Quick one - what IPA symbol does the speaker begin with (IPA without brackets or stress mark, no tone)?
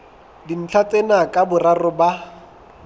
d